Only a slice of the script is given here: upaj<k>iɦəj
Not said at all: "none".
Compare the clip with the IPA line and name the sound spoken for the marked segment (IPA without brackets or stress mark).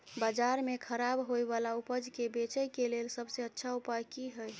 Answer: k